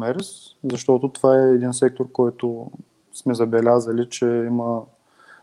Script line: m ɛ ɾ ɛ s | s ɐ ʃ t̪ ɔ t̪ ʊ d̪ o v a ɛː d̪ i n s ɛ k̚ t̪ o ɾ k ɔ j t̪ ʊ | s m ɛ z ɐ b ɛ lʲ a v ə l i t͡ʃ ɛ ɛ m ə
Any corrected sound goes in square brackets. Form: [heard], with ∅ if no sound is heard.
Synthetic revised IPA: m ɛ ɾ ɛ s | [z] ɐ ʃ t̪ ɔ t̪ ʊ [t̪] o v a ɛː d̪ i n s ɛ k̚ t̪ o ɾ k ɔ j t̪ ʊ | s m ɛ z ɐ b ɛ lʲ a [z] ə l i t͡ʃ ɛ [i] m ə